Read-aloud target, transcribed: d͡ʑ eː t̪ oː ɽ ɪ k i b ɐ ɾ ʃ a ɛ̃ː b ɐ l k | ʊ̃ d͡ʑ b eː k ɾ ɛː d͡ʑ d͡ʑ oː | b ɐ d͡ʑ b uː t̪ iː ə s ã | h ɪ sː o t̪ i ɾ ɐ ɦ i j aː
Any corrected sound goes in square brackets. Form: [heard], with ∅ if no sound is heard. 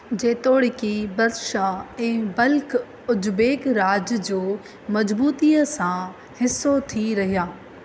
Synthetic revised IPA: d͡ʑ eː t̪ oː ɽ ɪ k i b ɐ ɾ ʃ a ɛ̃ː b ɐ l k | [ʊ] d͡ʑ b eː k ɾ [aː] d͡ʑ d͡ʑ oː | [m] ɐ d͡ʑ b uː t̪ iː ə s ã | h ɪ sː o [t̪ʰ] i ɾ ɐ ɦ i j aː